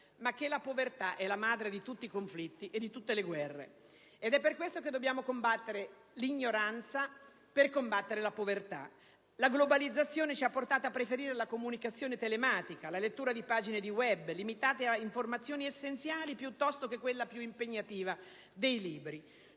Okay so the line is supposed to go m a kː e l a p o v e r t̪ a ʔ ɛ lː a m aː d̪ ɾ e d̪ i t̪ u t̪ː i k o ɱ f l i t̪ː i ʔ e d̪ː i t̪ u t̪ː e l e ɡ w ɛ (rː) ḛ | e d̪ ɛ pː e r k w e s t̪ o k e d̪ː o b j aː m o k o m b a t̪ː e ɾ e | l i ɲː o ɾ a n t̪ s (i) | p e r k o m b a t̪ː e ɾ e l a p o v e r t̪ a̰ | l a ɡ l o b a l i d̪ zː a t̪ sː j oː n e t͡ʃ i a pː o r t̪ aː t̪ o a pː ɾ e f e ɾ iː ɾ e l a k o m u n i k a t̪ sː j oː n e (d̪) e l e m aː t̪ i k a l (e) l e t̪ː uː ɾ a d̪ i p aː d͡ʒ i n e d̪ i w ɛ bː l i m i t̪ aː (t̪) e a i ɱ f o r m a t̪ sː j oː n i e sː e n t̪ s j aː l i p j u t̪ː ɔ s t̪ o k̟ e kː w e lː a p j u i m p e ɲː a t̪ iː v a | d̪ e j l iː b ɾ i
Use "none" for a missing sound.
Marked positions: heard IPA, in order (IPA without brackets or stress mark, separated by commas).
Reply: rː, a, t̪, a, t̪